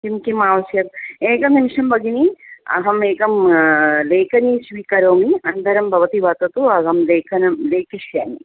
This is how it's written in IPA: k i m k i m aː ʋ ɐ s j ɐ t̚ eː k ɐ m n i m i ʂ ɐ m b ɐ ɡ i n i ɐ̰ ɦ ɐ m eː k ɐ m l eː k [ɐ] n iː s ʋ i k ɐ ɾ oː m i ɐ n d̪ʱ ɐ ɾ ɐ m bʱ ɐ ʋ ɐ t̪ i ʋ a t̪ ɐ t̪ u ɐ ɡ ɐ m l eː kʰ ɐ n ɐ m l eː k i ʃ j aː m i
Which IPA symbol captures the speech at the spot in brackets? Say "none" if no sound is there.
ɐ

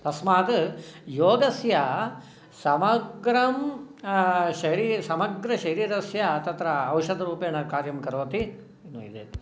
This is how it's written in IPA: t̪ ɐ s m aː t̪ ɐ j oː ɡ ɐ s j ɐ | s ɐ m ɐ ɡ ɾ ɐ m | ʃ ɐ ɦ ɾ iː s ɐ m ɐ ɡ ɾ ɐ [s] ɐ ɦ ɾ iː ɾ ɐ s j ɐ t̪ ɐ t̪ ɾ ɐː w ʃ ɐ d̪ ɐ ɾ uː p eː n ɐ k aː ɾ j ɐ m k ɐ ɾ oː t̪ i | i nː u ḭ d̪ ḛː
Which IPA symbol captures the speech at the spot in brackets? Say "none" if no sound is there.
ʃ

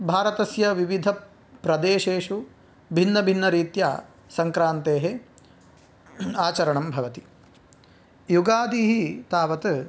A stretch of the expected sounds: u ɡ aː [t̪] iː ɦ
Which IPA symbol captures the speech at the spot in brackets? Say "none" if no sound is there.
d̪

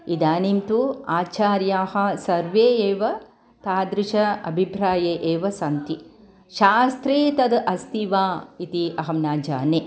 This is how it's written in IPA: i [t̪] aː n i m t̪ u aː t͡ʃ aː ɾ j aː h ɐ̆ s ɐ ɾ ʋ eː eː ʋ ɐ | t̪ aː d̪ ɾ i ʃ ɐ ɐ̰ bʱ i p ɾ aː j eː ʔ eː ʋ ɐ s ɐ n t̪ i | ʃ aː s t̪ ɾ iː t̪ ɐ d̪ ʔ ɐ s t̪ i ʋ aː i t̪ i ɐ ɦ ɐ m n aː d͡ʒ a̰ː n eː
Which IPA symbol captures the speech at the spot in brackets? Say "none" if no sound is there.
d̪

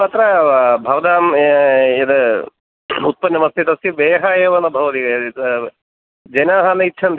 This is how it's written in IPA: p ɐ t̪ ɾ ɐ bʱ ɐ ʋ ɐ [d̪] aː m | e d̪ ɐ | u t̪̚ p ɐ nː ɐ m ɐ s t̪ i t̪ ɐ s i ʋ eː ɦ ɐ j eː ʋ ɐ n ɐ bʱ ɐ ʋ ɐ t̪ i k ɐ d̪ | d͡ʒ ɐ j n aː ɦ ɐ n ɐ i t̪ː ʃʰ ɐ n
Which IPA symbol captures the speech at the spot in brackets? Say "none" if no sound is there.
d̪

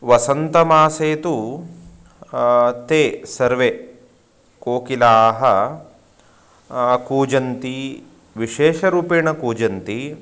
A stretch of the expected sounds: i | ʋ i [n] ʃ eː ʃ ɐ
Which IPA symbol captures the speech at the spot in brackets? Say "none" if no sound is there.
none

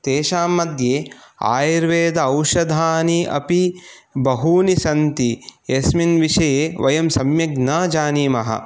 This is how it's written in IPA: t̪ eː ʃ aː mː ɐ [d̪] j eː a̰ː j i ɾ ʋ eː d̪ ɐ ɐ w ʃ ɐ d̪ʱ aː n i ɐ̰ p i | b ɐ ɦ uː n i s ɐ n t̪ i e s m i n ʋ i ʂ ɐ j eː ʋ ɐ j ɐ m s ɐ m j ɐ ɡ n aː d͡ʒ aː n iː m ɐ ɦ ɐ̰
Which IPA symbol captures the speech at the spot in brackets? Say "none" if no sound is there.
d̪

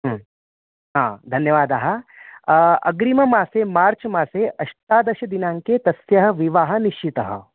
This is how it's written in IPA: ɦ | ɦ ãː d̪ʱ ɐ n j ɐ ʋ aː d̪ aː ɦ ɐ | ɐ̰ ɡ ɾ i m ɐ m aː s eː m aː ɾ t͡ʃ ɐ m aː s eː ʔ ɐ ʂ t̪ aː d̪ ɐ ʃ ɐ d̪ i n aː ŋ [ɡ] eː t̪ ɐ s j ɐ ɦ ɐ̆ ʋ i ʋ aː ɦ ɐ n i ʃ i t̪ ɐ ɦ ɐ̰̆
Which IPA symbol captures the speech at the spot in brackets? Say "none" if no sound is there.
k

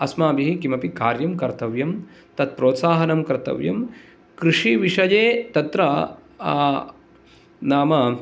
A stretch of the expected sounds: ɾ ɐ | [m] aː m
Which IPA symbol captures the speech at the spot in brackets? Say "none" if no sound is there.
n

